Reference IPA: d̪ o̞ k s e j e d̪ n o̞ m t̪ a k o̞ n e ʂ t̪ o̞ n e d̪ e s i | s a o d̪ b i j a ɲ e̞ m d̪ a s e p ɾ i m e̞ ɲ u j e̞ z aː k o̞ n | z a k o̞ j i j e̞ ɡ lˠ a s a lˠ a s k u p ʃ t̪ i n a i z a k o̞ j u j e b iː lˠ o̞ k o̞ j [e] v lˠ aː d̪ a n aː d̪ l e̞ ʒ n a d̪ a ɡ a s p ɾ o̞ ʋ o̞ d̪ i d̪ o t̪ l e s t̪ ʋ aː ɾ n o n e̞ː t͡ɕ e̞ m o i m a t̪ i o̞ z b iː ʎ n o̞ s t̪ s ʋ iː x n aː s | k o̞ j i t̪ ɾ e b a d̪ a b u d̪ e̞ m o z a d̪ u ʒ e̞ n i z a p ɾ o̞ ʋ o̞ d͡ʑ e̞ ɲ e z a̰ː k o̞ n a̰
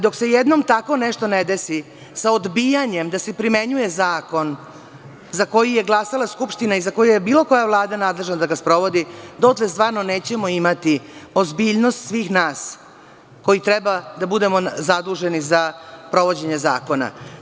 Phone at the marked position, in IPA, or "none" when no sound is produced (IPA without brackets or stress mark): a